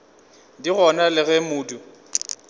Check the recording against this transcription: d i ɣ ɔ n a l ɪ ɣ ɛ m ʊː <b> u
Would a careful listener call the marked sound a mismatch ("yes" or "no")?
yes